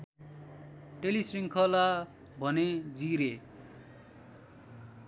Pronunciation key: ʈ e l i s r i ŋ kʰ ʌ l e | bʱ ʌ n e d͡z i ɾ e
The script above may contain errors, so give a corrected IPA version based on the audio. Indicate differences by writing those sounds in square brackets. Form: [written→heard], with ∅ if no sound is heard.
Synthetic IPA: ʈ e l i s r i ŋ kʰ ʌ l [e→a] | bʱ ʌ n e d͡z i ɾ e